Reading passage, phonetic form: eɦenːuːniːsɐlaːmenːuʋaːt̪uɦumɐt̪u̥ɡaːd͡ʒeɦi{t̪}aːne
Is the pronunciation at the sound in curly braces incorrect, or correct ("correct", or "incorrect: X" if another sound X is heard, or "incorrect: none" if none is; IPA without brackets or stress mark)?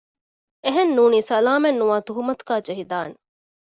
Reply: incorrect: d̪